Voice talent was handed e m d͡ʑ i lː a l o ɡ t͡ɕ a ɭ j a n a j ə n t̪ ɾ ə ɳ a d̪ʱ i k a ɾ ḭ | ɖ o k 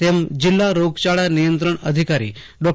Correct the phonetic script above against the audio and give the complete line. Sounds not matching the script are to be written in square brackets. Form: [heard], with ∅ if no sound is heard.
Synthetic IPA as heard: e m d͡ʑ i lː a [ɾ] o ɡ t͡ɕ a ɭ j a n [i] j ə n t̪ ɾ ə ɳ [ə] d̪ʱ i k a ɾ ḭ | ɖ [ɔ] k